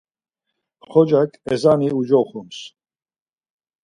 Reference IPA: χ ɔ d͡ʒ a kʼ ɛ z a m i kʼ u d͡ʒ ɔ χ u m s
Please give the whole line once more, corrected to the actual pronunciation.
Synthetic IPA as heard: χ ɔ d͡ʒ a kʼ ɛ z a n i u d͡ʒ ɔ χ u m s